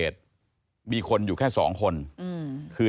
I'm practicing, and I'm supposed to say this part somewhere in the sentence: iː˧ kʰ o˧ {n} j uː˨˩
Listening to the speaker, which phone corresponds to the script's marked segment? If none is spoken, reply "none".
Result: n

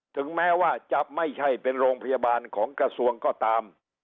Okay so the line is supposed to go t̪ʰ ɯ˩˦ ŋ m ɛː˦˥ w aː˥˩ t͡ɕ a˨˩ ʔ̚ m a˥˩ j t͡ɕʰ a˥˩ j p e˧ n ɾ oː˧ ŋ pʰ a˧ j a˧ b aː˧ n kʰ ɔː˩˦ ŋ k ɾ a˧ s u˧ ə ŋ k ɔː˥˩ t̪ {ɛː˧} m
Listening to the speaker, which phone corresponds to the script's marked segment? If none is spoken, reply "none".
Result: aː˧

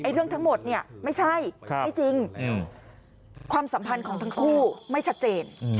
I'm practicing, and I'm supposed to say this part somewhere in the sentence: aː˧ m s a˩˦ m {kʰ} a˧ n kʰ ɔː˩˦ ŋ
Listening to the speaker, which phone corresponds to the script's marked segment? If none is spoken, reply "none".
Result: pʰ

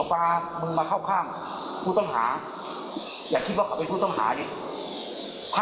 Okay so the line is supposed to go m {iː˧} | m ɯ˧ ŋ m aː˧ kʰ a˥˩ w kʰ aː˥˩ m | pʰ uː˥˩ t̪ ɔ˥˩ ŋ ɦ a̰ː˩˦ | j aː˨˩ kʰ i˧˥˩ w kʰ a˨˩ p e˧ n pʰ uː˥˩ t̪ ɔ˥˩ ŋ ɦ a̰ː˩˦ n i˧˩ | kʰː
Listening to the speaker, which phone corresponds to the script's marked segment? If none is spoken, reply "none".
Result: aː˧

